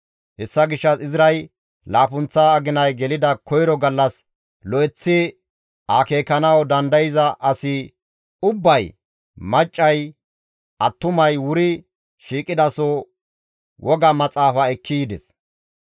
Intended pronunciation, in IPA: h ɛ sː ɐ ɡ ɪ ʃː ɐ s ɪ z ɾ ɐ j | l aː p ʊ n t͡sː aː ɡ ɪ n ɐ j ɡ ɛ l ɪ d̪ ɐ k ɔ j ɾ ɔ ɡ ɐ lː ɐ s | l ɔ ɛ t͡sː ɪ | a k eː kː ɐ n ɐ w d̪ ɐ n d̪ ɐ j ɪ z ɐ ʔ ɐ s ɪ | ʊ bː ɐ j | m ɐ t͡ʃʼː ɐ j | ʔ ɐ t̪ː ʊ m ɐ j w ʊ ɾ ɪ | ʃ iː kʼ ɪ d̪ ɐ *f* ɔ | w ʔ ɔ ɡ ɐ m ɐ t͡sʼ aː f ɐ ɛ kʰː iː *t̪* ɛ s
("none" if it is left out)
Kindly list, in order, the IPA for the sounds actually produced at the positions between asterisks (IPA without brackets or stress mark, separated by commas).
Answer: s, d̪